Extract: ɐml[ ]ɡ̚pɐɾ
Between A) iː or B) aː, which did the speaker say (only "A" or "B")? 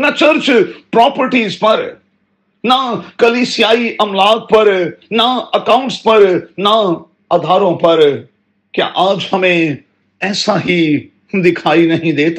B